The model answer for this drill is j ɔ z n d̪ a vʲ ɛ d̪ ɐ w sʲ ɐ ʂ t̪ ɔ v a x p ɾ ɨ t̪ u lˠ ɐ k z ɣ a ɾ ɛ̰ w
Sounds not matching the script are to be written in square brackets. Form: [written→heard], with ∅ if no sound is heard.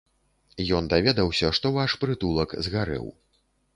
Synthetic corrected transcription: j ɔ [z→∅] n d̪ a vʲ ɛ d̪ ɐ w sʲ ɐ ʂ t̪ ɔ v a [x→ʂ] p ɾ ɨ t̪ u lˠ ɐ k z ɣ a ɾ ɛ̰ w